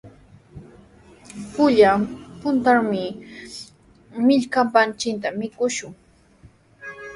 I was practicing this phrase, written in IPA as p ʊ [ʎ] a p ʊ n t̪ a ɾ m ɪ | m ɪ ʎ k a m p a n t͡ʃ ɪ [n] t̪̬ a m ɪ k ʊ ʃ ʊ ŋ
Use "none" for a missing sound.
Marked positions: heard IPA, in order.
ʎ, n

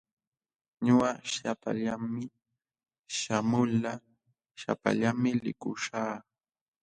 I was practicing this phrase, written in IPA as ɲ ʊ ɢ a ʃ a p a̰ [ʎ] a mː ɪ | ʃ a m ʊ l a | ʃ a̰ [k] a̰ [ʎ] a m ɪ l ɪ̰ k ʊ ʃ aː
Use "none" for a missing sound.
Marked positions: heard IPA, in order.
ʎ, p, ʎ

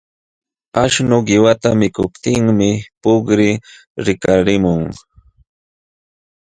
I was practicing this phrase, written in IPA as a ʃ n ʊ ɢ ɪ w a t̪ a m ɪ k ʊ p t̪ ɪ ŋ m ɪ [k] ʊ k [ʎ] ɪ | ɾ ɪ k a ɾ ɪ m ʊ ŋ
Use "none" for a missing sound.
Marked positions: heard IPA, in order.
p, ɾ

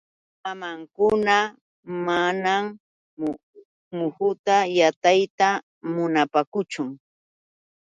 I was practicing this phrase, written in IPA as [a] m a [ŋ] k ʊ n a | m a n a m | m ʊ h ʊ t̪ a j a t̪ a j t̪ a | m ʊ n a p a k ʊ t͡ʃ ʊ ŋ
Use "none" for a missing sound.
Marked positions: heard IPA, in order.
a, ŋ

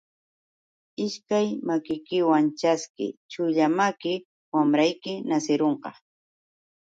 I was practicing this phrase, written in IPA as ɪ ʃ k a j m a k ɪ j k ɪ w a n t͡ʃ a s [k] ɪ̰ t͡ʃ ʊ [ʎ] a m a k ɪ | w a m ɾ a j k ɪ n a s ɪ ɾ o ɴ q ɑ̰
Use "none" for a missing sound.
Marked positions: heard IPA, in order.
k, ʎ

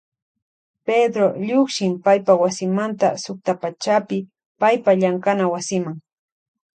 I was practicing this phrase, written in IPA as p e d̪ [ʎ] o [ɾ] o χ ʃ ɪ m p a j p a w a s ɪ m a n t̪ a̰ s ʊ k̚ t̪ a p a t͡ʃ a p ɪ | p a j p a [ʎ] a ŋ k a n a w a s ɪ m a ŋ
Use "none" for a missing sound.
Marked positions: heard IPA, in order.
ɾ, ʎ, ʎ

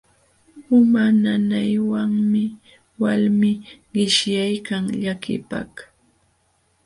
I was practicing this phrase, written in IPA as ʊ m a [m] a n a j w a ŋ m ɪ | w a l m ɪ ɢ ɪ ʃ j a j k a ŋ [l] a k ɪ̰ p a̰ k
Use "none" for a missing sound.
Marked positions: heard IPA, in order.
n, ʎ

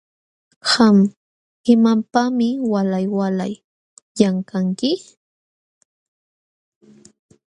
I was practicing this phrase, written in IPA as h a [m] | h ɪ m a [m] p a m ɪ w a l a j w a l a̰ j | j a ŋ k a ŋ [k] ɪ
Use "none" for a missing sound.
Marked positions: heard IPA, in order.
m, m, k

